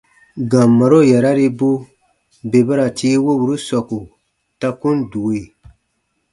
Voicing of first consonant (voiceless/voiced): voiced